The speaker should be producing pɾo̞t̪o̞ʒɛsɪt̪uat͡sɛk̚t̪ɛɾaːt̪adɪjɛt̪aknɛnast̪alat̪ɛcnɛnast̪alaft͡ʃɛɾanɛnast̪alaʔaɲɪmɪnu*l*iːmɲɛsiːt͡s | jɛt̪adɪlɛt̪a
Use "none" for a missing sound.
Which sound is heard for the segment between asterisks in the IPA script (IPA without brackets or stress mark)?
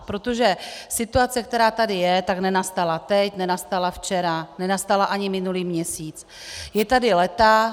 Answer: l